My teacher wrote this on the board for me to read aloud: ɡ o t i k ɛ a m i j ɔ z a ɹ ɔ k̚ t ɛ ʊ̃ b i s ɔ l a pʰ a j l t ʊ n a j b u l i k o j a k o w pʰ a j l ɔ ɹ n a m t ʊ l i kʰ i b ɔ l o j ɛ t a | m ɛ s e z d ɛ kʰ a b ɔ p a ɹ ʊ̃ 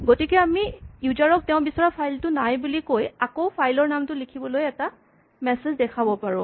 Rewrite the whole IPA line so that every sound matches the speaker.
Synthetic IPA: ɡ o t i k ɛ a m i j u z a ɹ ɔ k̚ t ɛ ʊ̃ b i s ɔ ɹ a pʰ a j l t ʊ n a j b u l i k o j a k o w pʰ a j l ɔ ɹ n a m t ʊ l i kʰ i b ɔ l o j ɛ t a | m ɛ s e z d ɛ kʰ a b ɔ p a ɹ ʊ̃